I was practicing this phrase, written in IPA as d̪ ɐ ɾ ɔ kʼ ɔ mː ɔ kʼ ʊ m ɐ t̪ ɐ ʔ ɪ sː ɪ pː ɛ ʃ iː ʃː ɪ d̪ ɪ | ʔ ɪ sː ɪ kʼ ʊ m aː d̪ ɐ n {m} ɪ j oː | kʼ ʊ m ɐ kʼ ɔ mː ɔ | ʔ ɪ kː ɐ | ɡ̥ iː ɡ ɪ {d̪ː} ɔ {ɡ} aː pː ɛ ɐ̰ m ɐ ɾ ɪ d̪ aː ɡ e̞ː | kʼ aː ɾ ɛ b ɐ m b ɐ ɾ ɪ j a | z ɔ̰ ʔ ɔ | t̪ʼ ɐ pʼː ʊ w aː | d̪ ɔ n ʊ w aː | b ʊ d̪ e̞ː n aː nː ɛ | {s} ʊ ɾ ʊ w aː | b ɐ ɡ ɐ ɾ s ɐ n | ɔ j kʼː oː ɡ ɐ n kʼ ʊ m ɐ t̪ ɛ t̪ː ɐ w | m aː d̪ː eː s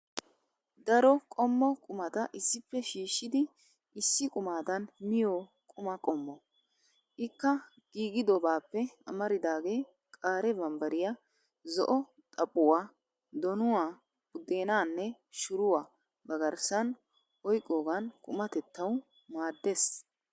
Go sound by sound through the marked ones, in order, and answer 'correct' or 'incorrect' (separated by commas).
correct, incorrect, incorrect, incorrect